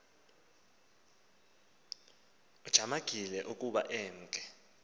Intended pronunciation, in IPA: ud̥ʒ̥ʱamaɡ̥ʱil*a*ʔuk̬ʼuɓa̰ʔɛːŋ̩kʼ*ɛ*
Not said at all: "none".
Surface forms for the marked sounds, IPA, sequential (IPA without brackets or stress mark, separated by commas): ɛ, ɛ